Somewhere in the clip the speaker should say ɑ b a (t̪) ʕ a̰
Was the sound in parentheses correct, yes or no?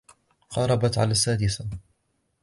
yes